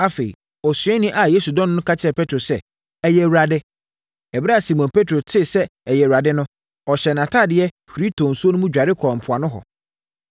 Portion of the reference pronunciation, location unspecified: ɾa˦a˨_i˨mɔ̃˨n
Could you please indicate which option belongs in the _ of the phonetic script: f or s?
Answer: s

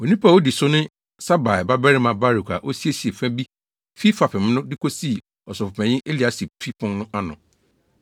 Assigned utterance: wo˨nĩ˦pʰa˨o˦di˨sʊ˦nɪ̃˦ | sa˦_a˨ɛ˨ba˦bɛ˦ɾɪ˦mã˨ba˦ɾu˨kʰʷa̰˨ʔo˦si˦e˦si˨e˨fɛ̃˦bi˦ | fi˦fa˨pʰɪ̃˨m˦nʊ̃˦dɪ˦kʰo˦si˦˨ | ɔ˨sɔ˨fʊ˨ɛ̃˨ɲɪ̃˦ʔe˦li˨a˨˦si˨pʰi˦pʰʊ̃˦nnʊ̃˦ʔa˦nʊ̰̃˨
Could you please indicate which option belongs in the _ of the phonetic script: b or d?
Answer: b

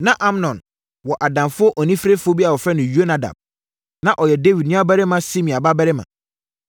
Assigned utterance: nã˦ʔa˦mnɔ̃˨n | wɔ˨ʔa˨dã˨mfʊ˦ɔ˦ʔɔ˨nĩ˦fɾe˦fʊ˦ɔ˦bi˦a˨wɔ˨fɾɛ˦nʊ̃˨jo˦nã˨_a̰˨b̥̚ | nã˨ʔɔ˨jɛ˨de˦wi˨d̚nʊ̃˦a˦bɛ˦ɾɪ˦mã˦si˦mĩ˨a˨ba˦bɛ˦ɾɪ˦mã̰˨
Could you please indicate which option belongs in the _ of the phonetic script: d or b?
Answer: d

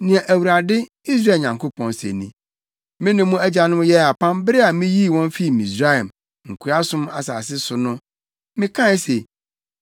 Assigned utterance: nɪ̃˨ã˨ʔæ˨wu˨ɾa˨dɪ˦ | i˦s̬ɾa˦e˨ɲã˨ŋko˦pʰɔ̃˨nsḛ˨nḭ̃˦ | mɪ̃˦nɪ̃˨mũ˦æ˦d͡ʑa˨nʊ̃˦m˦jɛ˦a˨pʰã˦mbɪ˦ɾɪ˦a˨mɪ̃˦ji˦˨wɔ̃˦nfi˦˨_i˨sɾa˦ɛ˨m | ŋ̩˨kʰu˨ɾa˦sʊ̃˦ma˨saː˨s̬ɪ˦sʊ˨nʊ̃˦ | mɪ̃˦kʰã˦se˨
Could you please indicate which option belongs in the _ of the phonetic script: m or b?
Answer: m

